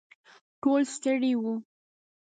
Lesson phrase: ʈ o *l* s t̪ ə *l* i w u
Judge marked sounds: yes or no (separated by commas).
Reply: yes, no